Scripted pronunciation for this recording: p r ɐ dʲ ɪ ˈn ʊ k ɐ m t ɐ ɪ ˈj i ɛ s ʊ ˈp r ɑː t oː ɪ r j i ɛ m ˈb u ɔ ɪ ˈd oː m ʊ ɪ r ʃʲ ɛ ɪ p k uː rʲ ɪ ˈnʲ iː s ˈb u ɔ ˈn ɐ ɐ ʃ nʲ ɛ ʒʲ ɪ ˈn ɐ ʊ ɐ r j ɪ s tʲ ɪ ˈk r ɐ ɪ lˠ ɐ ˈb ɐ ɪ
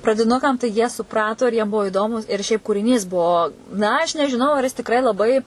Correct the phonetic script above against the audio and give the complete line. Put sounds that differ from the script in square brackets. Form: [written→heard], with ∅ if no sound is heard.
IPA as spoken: p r ɐ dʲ ɪ ˈn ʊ k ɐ m t ɐ ɪ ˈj i ɛ s ʊ ˈp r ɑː t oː ɪ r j i ɛ m ˈb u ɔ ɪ ˈd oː m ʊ ɪ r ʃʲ ɛ ɪ p k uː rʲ ɪ ˈnʲ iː s ˈb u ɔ ˈn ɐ ɐ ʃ nʲ ɛ ʒʲ ɪ ˈn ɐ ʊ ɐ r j ɪ s tʲ ɪ ˈk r ɐ ɪ lˠ ɐ ˈb ɐ ɪ